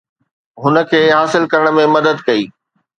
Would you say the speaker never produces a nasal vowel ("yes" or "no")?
no